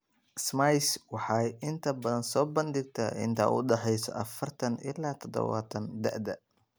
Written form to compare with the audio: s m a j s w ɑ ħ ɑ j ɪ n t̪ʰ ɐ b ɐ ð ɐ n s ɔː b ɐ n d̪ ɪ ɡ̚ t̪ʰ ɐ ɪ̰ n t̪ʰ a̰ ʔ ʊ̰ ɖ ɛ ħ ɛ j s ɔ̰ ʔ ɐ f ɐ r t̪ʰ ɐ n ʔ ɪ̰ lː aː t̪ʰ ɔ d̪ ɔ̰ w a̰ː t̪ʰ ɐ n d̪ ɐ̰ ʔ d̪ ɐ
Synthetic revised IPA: s m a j s w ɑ ħ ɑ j ɪ n t̪ʰ ɐ b ɐ ð ɐ n s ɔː b ɐ n d̪ ɪ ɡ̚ t̪ʰ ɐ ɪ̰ n t̪ʰ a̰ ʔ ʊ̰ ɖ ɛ ħ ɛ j s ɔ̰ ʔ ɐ f ɐ r t̪ʰ ɐ n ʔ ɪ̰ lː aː t̪ʰ ɔ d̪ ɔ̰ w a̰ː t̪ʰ ɐ n d̪ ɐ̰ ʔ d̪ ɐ